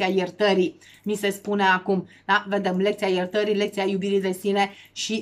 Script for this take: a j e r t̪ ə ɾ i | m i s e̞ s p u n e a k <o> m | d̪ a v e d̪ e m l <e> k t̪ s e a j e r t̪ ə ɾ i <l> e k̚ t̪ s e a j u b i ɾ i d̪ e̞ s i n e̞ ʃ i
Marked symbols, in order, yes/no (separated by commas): no, yes, yes